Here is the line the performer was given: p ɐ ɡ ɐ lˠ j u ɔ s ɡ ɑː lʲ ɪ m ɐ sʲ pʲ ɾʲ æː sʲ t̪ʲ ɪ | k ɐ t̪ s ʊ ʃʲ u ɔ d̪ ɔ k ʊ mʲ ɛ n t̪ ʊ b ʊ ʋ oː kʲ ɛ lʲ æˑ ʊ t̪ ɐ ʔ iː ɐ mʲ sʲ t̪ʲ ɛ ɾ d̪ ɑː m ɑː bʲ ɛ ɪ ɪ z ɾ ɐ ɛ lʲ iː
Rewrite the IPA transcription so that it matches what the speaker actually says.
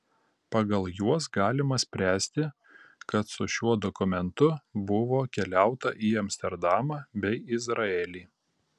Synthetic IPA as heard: p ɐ ɡ ɐ lˠ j u ɔ s ɡ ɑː lʲ ɪ m ɐ sʲ pʲ ɾʲ æː sʲ t̪ʲ ɪ | k ɐ t̪ s ʊ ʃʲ u ɔ d̪ ɔ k ʊ mʲ ɛ n t̪ ʊ b ʊ ʋ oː kʲ ɛ lʲ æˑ ʊ t̪ ɐ ʔ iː ɐ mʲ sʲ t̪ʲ ɛ ɾ d̪ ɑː m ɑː bʲ ɛ ɪ ɪ z ɾ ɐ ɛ lʲ iː

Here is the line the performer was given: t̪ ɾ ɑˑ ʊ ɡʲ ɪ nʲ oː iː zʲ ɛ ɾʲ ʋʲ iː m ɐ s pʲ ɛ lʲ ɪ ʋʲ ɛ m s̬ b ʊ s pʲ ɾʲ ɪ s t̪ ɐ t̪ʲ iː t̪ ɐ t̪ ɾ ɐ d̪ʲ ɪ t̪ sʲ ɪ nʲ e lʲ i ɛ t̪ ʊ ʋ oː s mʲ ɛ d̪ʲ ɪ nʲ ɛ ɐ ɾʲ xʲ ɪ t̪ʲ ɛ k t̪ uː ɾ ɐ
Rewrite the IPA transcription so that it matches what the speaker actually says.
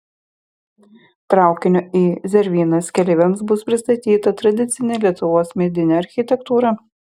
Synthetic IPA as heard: t̪ ɾ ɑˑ ʊ kʲ ɪ nʲ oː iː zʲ ɛ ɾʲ ʋʲ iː n ɐ s kʲ ɛ lʲ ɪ ʋʲ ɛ m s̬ b ʊ s pʲ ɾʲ ɪ s t̪ ɐ t̪ʲ iː t̪ ɐ t̪ ɾ ɐ d̪ʲ ɪ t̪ sʲ ɪ nʲ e lʲ i ɛ t̪ ʊ ʋ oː s mʲ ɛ d̪ʲ ɪ nʲ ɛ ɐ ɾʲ xʲ ɪ t̪ʲ ɛ k t̪ uː ɾ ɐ

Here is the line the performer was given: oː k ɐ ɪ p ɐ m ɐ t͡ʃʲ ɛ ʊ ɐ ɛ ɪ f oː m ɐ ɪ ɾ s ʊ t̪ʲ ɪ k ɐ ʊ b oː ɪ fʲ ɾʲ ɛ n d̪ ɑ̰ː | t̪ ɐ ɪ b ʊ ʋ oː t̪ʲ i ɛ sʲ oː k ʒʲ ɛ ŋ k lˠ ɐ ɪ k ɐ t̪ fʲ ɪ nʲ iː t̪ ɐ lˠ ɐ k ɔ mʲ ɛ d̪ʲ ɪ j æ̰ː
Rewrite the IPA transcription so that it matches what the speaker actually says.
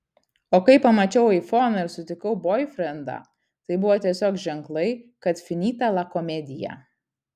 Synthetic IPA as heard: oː k ɐ ɪ p ɐ m ɐ t͡ʃʲ ɛ ʊ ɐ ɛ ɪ f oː n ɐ ɪ ɾ s ʊ t̪ʲ ɪ k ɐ ʊ b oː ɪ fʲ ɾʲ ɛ n d̪ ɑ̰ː | t̪ ɐ ɪ b ʊ ʋ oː t̪ʲ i ɛ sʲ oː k ʒʲ ɛ ŋ k lˠ ɐ ɪ k ɐ t̪ fʲ ɪ nʲ iː t̪ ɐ lˠ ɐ k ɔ mʲ ɛ d̪ʲ ɪ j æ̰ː

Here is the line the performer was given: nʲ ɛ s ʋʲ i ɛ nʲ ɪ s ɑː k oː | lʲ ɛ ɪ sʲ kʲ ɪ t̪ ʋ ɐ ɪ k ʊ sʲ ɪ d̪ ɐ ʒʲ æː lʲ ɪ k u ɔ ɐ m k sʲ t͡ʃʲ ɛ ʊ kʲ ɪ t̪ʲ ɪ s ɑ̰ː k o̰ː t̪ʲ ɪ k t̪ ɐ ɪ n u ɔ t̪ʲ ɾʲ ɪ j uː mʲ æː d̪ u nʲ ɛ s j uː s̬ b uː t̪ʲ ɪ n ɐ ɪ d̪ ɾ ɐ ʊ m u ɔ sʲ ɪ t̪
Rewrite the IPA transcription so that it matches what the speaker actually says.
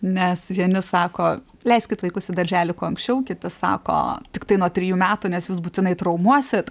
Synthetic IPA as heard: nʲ ɛ s ʋʲ i ɛ nʲ ɪ s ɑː k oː | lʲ ɛ ɪ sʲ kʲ ɪ t̪ ʋ ɐ ɪ k ʊ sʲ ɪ d̪ ɐ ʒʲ æː lʲ ɪ k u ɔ ɐ ŋ k sʲ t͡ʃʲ ɛ ʊ kʲ ɪ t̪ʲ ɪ s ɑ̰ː k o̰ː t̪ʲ ɪ k t̪ ɐ ɪ n u ɔ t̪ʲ ɾʲ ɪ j uː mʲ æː t̪ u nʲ ɛ s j uː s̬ b uː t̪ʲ ɪ n ɐ ɪ t̪ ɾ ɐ ʊ m u ɔ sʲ ɪ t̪

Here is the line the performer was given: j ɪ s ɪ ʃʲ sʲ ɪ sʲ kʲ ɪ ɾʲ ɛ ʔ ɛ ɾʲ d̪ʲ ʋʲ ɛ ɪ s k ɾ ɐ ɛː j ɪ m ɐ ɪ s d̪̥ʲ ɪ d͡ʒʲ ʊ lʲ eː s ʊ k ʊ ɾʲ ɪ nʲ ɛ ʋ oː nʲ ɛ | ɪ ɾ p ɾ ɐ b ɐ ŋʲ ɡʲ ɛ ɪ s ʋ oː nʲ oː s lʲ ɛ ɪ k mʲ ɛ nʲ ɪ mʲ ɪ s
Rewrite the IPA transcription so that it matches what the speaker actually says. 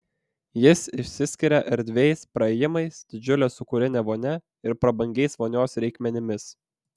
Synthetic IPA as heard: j ɪ s ɪ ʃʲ sʲ ɪ sʲ kʲ ɪ ɾʲ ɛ ʔ ɛ ɾʲ d̪ʲ ʋʲ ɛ ɪ s p ɾ ɐ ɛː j ɪ m ɐ ɪ s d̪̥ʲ ɪ d͡ʒʲ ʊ lʲ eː s ʊ k ʊ ɾʲ ɪ nʲ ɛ ʋ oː nʲ ɛ | ɪ ɾ p ɾ ɐ b ɐ ŋʲ ɡʲ ɛ ɪ s ʋ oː nʲ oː s ɾʲ ɛ ɪ k mʲ ɛ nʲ ɪ mʲ ɪ s

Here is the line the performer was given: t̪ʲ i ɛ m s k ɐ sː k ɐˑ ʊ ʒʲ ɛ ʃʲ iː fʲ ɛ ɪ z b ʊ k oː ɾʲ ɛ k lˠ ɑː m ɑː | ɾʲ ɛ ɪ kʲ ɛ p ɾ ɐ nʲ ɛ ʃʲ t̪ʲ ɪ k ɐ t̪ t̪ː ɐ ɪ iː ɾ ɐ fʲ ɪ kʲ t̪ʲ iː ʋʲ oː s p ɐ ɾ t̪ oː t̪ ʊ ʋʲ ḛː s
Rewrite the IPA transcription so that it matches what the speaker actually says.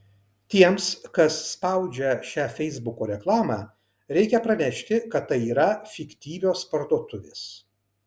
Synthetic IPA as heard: t̪ʲ i ɛ m s k ɐ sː p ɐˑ ʊ d͡ʒʲ ɛ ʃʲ æː fʲ ɛ ɪ z b ʊ k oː ɾʲ ɛ k lˠ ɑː m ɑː | ɾʲ ɛ ɪ kʲ ɛ p ɾ ɐ nʲ ɛ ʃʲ t̪ʲ ɪ k ɐ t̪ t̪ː ɐ ɪ iː ɾ ɐ fʲ ɪ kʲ t̪ʲ iː ʋʲ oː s p ɐ ɾ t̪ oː t̪ ʊ ʋʲ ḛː s

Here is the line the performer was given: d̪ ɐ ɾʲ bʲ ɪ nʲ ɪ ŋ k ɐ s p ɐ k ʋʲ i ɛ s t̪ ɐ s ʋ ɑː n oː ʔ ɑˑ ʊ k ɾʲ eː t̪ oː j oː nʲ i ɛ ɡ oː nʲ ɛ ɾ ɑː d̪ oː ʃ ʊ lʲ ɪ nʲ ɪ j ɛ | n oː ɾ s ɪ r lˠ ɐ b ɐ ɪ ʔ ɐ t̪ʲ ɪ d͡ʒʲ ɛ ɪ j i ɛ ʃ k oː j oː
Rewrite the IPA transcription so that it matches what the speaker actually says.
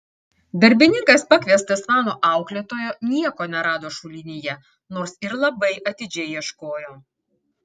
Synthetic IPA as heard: d̪ ɐ ɾʲ bʲ ɪ nʲ ɪ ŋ k ɐ s p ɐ k ʋʲ i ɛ s t̪ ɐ s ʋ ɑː n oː ʔ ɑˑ ʊ k lʲ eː t̪ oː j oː nʲ i ɛ k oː nʲ ɛ ɾ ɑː d̪ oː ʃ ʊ lʲ ɪ nʲ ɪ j ɛ | n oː ɾ s ɪ ɾ lˠ ɐ b ɐ ɪ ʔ ɐ t̪ʲ ɪ d͡ʒʲ ɛ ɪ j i ɛ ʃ k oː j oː

